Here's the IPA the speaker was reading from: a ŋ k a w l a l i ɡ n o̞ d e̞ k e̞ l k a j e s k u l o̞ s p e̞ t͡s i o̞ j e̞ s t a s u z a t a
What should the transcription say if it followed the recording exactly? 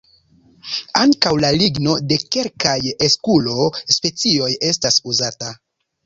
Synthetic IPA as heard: a ŋ k a w l a l i ɡ n o̞ d e̞ k e̞ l k a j e s k u l o̞ s p e̞ t͡s i o̞ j e̞ s t a s u z a t a